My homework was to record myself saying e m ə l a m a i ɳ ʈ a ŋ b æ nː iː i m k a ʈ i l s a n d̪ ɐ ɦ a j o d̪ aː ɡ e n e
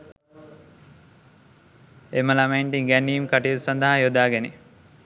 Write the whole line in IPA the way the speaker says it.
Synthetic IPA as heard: e m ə l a m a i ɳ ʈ i ŋ ɡ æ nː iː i m k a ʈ i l s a n d̪ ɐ ɦ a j o d̪ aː ɡ e n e